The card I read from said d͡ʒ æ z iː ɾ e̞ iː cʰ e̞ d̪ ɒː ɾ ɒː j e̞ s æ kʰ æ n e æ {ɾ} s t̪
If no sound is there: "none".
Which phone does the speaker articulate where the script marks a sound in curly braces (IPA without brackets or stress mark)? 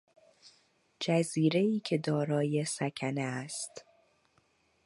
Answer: none